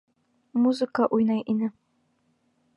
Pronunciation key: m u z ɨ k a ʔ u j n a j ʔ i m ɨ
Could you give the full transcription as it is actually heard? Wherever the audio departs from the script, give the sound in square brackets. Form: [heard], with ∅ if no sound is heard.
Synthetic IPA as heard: m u z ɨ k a ʔ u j n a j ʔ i [n] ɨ

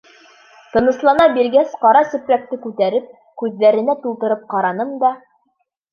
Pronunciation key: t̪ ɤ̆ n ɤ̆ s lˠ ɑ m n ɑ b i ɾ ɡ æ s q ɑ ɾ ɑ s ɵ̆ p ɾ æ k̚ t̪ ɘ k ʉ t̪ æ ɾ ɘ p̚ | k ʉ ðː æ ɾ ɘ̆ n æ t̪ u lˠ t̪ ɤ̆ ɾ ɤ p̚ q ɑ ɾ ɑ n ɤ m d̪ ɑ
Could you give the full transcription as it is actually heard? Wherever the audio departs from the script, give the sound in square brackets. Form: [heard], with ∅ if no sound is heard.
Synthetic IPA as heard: t̪ ɤ̆ n ɤ̆ s lˠ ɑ [∅] n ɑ b i ɾ ɡ æ s q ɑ ɾ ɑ s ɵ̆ p ɾ æ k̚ t̪ ɘ k ʉ t̪ æ ɾ ɘ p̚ | k ʉ ðː æ ɾ ɘ̆ n æ t̪ u lˠ t̪ ɤ̆ ɾ ɤ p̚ q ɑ ɾ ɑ n ɤ m d̪ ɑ

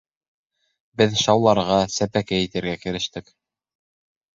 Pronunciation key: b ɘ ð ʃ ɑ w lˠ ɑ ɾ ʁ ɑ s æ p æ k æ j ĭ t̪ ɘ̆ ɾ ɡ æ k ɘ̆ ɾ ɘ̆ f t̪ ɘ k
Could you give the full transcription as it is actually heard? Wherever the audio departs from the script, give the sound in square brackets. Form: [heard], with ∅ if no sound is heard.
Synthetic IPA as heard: b ɘ ð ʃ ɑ w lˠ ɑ ɾ ʁ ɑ s æ p æ k æ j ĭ t̪ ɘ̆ ɾ ɡ æ k ɘ̆ ɾ ɘ̆ [ʃ] t̪ ɘ k

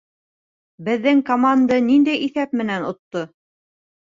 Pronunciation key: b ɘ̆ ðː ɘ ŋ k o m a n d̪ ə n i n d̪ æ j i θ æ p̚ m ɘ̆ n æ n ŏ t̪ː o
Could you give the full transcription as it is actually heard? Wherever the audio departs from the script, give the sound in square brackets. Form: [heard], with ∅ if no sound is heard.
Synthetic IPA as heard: b ɘ̆ ðː ɘ ŋ k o m a n d̪ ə n i n d̪ æ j i θ æ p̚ m ɘ̆ n æ n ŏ t̪ː o

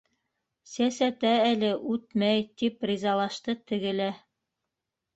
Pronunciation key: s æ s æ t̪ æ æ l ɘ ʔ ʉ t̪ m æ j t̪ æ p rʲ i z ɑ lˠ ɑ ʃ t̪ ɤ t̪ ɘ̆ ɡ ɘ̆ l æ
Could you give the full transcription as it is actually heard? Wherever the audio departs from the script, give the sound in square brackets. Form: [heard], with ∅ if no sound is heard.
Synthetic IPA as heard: s æ s æ t̪ æ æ l ɘ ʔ ʉ t̪ m æ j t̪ [i] p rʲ i z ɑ lˠ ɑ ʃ t̪ ɤ t̪ ɘ̆ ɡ ɘ̆ l æ

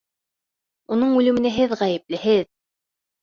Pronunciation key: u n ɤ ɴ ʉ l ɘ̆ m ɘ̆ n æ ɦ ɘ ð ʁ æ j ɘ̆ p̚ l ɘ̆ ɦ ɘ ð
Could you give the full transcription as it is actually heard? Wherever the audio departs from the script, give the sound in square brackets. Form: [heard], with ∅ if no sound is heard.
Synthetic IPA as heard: u n ɤ ɴ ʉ l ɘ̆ m ɘ̆ n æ ɦ ɘ ð ʁ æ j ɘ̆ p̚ l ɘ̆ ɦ ɘ ð

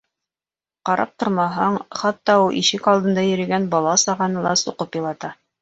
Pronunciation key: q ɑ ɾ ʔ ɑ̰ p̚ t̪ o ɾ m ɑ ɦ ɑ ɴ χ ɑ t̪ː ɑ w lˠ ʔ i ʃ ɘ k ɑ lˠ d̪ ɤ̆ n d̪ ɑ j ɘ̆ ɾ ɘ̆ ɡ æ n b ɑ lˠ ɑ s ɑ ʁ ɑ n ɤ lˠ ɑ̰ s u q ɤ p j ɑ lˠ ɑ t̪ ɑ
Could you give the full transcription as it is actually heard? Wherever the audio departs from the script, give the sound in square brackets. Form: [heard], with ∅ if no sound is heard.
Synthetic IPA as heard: q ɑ ɾ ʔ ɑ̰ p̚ t̪ o ɾ m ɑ ɦ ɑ ɴ χ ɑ t̪ː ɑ [u] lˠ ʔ i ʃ ɘ k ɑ lˠ d̪ ɤ̆ n d̪ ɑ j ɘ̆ ɾ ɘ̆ ɡ æ n b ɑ lˠ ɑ s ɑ ʁ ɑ n ɤ lˠ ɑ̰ s u q ɤ p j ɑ lˠ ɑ t̪ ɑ

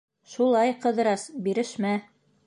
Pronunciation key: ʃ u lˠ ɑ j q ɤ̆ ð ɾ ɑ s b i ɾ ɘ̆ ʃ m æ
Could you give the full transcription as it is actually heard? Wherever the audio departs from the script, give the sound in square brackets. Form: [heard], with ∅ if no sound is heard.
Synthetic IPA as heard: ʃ u lˠ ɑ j q ɤ̆ ð ɾ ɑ s b i ɾ ɘ̆ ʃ m æ

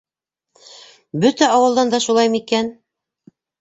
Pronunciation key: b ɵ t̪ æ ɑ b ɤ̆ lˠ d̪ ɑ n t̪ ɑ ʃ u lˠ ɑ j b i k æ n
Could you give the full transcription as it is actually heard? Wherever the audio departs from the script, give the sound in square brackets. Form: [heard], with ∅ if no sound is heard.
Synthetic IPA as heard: b ɵ t̪ æ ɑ [w] ɤ̆ lˠ d̪ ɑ n [d̪] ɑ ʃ u lˠ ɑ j [m] i k æ n

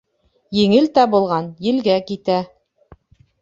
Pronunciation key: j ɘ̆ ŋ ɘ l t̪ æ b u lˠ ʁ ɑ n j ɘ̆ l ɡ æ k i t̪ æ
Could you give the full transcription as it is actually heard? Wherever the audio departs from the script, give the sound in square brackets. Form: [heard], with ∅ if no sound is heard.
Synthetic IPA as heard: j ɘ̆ ŋ ɘ l t̪ æ b u lˠ ʁ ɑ n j ɘ̆ l ɡ æ k i t̪ æ

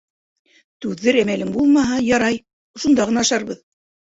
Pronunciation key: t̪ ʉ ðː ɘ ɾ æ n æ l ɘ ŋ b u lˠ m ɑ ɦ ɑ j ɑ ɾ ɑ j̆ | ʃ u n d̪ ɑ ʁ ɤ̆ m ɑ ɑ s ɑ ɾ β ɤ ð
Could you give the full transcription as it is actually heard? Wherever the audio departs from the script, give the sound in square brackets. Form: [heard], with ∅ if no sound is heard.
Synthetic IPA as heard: t̪ ʉ ðː ɘ ɾ æ [m] æ l ɘ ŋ b u lˠ m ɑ ɦ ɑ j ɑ ɾ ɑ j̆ | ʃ u n d̪ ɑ ʁ ɤ̆ [n] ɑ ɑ [ʃ] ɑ ɾ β ɤ ð

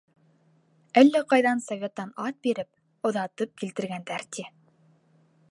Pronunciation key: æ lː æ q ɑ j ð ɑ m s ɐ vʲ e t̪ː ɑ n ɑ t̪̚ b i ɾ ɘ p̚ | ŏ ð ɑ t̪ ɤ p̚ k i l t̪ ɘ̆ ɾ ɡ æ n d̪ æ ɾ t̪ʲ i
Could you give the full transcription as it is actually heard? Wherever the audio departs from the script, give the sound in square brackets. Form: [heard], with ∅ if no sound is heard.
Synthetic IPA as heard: æ lː æ q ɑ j ð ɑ [n] s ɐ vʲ e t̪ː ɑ n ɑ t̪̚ b i ɾ ɘ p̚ | ŏ ð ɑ t̪ ɤ p̚ k i l t̪ ɘ̆ ɾ ɡ æ n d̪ æ ɾ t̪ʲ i

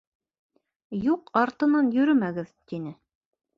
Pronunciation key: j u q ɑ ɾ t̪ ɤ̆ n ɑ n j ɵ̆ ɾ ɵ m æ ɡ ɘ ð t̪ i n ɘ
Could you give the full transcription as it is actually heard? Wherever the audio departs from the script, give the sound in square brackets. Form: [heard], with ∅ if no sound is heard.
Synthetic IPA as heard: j u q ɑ ɾ t̪ ɤ̆ n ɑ n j ɵ̆ ɾ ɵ m æ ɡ ɘ ð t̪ i n ɘ

